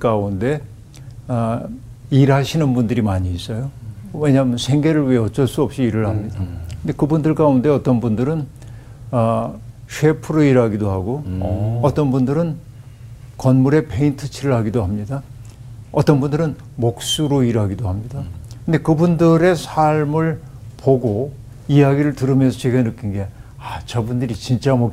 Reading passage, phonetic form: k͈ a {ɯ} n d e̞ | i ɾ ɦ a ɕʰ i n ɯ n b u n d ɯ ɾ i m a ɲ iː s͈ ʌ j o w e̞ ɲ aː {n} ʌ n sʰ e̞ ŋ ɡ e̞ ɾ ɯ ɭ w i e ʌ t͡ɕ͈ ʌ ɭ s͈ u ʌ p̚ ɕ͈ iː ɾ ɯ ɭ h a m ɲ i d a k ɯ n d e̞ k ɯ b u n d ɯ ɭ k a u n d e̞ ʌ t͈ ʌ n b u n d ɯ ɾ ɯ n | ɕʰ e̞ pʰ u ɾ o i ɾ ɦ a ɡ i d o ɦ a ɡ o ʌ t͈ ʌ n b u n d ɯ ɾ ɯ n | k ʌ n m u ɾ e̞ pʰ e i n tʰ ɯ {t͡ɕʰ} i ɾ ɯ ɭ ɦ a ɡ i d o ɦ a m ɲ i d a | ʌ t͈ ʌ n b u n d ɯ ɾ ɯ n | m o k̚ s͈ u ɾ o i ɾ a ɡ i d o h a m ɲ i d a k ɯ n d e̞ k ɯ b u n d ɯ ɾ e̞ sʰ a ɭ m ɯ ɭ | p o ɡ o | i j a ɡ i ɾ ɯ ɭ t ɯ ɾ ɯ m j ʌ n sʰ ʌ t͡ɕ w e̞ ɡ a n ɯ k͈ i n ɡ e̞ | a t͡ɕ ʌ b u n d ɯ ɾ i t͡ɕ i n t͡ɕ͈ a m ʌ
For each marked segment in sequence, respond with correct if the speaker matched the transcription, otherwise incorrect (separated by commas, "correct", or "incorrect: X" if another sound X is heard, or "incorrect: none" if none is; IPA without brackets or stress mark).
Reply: incorrect: u, incorrect: m, correct